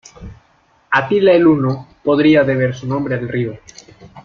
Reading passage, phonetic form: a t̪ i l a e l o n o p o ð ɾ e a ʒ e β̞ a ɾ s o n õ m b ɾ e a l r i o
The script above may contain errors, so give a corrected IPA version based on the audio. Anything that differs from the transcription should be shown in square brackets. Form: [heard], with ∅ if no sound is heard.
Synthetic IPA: a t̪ i l a e l [u] n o p o ð ɾ [i] a [ð] e β̞ [e] ɾ s [u] n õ m b ɾ e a l r i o